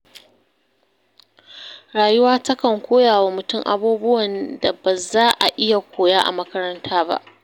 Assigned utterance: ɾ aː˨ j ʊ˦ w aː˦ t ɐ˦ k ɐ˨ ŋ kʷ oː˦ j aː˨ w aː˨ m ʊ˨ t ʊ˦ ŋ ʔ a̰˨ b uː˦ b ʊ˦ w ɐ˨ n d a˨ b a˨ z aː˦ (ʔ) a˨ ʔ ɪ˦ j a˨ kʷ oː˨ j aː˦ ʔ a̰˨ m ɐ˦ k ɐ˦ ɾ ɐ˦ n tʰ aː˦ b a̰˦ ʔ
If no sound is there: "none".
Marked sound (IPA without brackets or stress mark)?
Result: ʔ